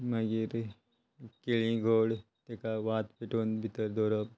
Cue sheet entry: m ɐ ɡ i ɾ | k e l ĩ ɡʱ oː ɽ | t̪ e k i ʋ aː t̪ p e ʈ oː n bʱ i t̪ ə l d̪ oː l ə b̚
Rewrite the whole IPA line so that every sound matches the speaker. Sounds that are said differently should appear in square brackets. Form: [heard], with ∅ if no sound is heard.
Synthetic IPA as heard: m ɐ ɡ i ɾ | k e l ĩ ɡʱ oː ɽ | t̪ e k [a] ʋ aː t̪ p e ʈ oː n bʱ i t̪ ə [ɾ] d̪ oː [ɾ] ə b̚